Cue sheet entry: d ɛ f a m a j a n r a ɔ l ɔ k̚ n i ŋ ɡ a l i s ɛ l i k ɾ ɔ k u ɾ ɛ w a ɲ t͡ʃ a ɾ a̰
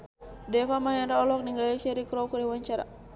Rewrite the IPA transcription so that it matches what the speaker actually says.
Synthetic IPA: d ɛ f a m a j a n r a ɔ l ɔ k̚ n i ŋ ɡ a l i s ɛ ɾ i k ɾ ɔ k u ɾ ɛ w a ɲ t͡ʃ a ɾ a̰